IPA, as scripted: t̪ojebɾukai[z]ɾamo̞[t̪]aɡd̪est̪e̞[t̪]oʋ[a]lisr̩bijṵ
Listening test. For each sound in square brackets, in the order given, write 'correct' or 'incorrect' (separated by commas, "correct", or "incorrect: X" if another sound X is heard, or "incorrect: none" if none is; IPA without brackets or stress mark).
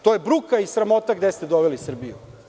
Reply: incorrect: s, correct, incorrect: d̪, incorrect: e